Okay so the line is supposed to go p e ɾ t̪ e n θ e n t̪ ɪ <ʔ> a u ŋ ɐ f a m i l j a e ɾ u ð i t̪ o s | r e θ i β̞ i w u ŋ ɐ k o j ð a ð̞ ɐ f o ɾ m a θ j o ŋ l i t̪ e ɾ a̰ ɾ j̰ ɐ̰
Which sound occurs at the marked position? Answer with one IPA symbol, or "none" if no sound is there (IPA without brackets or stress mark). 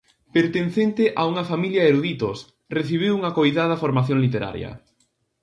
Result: ʔ